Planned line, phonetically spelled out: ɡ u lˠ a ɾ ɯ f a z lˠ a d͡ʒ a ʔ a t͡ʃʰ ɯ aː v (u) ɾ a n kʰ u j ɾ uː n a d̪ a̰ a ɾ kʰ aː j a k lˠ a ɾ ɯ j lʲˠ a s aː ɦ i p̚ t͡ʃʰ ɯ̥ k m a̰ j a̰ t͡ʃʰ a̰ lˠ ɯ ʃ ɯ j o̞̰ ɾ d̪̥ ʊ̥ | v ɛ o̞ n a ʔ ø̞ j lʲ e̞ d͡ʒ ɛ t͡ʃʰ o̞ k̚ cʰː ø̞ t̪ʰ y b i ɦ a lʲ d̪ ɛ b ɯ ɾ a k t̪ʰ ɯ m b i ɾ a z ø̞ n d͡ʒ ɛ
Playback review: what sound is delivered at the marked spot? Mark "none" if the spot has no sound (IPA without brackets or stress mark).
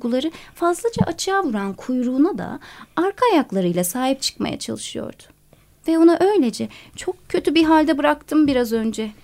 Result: u